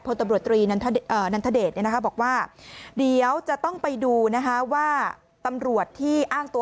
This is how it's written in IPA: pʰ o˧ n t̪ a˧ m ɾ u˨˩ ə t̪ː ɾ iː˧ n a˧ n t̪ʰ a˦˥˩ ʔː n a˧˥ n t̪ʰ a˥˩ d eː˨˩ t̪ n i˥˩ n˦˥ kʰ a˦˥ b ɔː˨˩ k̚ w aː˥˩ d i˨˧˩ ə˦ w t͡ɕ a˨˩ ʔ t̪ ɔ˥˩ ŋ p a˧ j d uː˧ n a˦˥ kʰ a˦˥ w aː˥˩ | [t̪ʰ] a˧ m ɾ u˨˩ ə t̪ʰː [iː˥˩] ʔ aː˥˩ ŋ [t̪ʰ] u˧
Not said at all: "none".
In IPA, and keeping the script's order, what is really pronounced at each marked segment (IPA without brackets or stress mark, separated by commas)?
t̪, iː˥˩, t̪